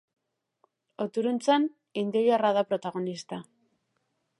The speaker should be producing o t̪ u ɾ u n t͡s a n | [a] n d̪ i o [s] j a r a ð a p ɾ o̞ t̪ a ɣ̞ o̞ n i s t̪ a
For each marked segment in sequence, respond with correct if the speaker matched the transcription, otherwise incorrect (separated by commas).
incorrect, incorrect